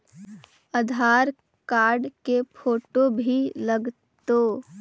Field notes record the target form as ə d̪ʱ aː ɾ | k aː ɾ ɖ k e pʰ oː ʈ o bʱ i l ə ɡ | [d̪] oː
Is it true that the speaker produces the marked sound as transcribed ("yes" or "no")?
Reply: no